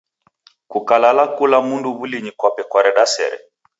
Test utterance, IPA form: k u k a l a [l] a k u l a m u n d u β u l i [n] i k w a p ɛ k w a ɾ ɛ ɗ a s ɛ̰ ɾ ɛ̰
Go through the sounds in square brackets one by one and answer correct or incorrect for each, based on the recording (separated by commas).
correct, incorrect